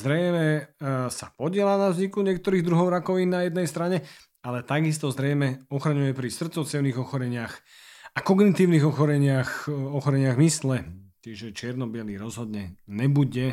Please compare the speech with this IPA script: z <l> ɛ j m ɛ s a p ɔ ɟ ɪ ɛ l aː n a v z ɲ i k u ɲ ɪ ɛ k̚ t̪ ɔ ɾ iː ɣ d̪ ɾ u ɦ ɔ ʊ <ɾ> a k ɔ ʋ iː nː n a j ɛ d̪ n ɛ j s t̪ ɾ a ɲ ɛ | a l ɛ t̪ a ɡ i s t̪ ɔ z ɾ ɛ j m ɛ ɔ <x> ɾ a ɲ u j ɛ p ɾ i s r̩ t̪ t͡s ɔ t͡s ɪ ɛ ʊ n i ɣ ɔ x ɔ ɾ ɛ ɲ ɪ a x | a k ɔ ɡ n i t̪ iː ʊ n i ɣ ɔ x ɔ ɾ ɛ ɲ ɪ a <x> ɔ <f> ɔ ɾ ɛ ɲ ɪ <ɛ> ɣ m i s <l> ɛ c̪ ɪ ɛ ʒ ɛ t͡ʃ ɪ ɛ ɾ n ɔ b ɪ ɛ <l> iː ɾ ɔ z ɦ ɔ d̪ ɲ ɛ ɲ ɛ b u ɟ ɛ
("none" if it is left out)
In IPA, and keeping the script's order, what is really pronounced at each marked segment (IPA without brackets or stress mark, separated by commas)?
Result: ɾ, ɾ, x, x, x, a, l, l